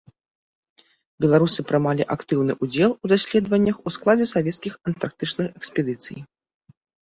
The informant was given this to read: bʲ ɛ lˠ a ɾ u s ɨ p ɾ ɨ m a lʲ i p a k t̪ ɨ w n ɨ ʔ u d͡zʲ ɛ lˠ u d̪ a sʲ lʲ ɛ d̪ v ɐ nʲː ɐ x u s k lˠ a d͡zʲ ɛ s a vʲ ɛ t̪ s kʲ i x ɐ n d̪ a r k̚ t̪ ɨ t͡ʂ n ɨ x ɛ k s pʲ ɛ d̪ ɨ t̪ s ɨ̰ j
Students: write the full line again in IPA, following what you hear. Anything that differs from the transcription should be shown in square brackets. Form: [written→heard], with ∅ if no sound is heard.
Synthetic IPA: bʲ ɛ lˠ a ɾ u s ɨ p ɾ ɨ m a lʲ i [p→ʔ] a k t̪ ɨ w n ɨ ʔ u d͡zʲ ɛ lˠ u d̪ a sʲ lʲ ɛ d̪ v ɐ nʲː ɐ x u s k lˠ a d͡zʲ ɛ s a vʲ ɛ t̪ s kʲ i x ɐ n [d̪→t̪] a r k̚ t̪ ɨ t͡ʂ n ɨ x ɛ k s pʲ ɛ d̪ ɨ t̪ s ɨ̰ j

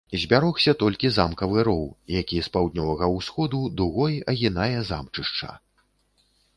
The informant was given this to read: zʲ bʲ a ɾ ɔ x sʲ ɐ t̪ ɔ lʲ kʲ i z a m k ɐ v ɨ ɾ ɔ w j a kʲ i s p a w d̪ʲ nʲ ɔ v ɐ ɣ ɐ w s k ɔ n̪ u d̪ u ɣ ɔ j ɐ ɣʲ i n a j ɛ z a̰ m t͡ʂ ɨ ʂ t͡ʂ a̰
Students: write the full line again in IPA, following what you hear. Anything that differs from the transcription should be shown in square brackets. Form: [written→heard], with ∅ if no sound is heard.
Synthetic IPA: zʲ bʲ a ɾ ɔ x sʲ ɐ t̪ ɔ lʲ kʲ i z a m k ɐ v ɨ ɾ ɔ w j a kʲ i s p a w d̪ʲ nʲ ɔ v ɐ ɣ ɐ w s [k→x] ɔ [n̪→d̪] u d̪ u ɣ ɔ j ɐ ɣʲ i n a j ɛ z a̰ m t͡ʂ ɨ ʂ t͡ʂ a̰

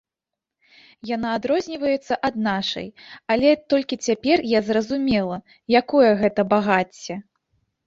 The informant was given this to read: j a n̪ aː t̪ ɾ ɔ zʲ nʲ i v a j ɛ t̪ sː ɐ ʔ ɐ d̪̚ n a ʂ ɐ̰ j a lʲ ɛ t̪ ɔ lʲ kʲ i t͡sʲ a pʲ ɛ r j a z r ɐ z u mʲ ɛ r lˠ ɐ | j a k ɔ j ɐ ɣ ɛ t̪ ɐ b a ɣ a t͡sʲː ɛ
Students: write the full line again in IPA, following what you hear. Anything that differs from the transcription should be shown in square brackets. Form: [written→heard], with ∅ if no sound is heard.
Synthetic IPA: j a n̪ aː [t̪→d̪] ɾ ɔ zʲ nʲ i v [a→ɐ] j ɛ t̪ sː ɐ ʔ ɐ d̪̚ n a ʂ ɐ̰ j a lʲ ɛ t̪ ɔ lʲ kʲ i t͡sʲ a pʲ ɛ r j a z r ɐ z u mʲ ɛ [r→∅] lˠ ɐ | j a k ɔ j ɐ ɣ ɛ t̪ ɐ b a ɣ a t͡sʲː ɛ

